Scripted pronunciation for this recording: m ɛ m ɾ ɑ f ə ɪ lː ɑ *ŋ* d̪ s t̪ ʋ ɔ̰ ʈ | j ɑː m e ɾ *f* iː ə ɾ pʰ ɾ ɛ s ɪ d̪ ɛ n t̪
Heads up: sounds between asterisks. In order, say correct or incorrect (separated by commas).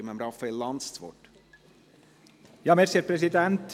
incorrect, incorrect